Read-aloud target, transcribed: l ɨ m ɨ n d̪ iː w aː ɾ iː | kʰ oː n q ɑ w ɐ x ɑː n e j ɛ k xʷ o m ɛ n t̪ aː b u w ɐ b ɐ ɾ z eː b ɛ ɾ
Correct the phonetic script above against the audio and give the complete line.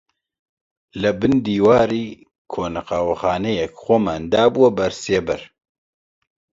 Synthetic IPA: l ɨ b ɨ n d̪ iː w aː ɾ iː | kʰ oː n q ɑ w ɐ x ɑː n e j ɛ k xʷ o m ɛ n d̪ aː b u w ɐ b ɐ ɾ s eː b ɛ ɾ